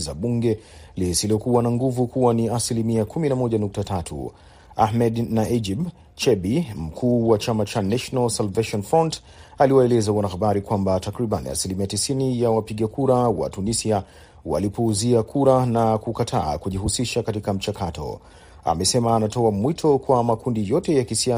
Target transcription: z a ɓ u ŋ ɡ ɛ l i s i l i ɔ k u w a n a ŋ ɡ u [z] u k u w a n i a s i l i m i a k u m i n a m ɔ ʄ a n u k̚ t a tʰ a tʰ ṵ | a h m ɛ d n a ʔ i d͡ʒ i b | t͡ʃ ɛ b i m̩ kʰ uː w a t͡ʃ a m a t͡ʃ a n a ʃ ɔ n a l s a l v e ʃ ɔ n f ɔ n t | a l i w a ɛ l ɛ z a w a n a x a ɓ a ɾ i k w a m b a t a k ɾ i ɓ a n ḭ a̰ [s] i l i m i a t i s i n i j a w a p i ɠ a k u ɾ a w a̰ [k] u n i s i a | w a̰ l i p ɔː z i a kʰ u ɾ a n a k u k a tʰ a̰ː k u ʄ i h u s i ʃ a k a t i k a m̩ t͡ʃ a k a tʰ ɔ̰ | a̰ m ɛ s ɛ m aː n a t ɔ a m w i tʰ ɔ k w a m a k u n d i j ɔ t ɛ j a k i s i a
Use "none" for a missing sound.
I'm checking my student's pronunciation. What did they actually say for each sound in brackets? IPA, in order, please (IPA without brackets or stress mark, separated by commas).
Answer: v, s, t